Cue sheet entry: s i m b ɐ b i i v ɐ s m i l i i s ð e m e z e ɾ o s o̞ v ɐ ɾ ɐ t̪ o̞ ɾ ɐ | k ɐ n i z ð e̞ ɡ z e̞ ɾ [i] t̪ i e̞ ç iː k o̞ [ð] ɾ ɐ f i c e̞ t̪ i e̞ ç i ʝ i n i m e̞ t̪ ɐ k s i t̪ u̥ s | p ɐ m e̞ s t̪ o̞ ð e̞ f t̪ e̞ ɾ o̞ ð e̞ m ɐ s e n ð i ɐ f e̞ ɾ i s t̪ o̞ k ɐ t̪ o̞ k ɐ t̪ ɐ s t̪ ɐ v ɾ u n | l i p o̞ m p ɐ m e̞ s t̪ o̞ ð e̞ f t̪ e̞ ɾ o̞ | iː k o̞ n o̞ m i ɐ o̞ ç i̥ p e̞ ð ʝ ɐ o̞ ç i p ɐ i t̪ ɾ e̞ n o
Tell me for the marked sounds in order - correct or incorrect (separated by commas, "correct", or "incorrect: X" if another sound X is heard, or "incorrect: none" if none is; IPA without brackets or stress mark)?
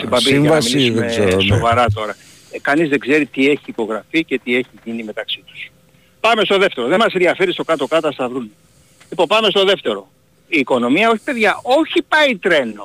correct, incorrect: ɣ